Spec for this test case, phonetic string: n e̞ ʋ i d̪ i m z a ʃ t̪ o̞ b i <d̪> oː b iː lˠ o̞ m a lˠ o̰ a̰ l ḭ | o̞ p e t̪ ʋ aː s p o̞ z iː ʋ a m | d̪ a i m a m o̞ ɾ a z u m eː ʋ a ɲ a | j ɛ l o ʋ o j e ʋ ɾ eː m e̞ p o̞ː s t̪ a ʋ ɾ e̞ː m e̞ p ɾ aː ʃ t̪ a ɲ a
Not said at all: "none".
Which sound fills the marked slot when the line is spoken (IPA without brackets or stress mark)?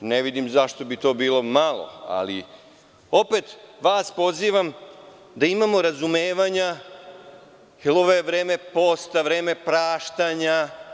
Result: t̪